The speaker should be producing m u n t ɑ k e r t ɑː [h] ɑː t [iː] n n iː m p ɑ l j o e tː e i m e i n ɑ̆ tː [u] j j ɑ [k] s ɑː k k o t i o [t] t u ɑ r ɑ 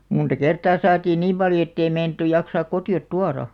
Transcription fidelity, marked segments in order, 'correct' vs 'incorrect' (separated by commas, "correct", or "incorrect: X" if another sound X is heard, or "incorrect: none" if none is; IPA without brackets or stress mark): incorrect: s, correct, correct, correct, correct